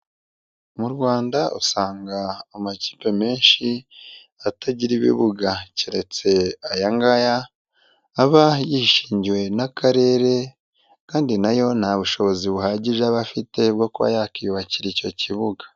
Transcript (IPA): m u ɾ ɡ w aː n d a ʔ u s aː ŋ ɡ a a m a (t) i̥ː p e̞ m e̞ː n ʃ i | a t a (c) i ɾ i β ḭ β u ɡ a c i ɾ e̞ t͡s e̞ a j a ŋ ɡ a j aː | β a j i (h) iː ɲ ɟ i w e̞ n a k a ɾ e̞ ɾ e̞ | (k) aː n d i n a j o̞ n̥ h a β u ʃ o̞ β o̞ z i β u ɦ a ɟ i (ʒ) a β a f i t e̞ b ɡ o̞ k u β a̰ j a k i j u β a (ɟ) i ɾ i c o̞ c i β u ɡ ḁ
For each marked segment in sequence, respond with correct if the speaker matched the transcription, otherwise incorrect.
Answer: incorrect: c, incorrect: ɟ, incorrect: ʃ, correct, correct, incorrect: c

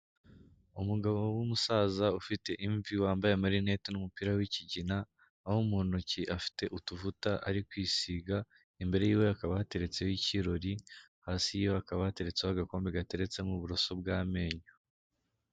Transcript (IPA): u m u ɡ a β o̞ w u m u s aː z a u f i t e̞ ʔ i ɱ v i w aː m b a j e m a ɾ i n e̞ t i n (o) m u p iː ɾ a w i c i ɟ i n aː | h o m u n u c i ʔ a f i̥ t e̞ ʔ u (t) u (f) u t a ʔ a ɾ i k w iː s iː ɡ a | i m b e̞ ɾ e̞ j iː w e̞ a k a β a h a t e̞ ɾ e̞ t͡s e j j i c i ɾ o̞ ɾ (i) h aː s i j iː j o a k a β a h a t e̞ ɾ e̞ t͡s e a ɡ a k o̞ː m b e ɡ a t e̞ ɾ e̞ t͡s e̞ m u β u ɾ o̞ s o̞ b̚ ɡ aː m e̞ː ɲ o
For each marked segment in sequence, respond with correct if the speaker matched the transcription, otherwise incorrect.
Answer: incorrect: u, correct, incorrect: v, correct

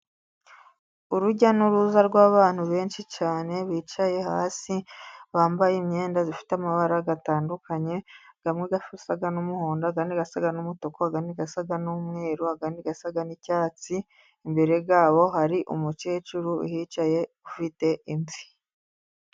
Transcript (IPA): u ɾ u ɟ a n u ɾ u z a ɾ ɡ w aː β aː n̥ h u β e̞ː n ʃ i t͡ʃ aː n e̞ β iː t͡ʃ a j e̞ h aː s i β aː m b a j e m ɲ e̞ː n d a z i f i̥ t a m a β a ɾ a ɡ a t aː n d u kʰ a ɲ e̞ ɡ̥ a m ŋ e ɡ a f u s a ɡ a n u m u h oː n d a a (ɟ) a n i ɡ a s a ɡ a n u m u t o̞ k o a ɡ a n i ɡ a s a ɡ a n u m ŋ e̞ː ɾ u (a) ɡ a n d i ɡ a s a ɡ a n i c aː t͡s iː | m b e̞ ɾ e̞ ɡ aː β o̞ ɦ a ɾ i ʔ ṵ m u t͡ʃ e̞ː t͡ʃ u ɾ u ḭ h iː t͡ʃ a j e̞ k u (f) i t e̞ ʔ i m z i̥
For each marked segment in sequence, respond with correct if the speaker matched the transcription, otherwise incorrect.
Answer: incorrect: ɡ, correct, correct

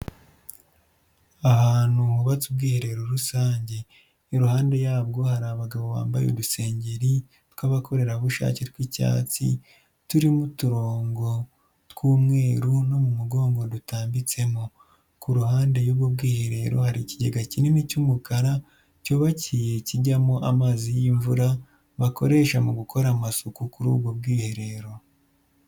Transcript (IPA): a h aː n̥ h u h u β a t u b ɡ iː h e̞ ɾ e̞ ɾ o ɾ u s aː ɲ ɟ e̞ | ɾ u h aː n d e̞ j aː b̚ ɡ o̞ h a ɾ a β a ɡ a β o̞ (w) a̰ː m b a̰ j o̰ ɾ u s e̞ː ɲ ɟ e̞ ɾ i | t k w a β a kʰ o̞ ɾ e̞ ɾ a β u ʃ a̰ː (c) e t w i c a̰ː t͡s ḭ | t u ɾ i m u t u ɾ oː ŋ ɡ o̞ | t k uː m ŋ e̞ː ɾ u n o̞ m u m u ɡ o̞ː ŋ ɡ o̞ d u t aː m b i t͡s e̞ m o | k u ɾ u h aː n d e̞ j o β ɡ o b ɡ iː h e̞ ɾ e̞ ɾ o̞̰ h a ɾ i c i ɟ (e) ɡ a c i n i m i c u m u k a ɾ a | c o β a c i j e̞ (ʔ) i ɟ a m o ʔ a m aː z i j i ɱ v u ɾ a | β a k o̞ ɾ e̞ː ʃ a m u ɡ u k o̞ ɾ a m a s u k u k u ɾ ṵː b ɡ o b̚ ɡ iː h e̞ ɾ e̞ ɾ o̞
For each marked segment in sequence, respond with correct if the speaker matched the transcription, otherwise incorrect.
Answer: incorrect: β, correct, correct, incorrect: c

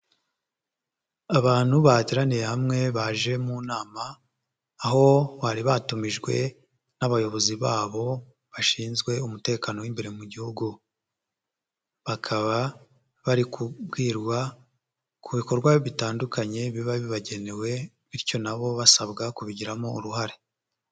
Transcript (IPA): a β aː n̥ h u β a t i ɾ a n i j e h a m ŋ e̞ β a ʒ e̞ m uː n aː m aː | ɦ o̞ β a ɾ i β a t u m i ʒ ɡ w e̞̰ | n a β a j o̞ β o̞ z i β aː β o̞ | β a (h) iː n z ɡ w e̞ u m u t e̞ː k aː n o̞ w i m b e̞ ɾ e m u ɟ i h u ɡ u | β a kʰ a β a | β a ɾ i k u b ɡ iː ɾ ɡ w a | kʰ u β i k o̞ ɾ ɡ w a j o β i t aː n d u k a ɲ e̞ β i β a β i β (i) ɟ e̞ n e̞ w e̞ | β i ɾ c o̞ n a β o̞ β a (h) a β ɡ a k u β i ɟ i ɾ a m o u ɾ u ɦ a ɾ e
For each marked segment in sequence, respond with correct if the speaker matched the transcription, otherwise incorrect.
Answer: incorrect: ʃ, incorrect: a, incorrect: s

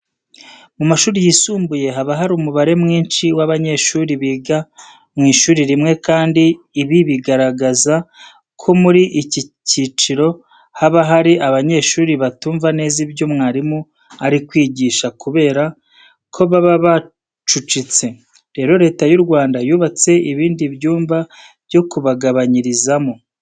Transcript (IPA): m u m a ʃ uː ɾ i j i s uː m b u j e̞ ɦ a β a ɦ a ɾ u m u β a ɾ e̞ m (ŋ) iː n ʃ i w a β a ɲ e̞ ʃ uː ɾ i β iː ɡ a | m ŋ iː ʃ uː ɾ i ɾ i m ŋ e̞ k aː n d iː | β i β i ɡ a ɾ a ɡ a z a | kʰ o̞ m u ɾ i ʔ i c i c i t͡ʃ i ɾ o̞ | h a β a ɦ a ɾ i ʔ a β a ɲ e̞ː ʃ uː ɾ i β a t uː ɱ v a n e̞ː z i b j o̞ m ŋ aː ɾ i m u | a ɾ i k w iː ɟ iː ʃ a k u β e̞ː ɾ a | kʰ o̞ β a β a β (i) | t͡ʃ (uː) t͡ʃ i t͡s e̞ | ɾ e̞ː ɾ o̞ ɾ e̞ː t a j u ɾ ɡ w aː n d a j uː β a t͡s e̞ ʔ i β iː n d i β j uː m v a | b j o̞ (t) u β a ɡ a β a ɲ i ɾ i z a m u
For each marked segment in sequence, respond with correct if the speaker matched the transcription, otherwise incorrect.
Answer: correct, incorrect: a, incorrect: u, incorrect: k

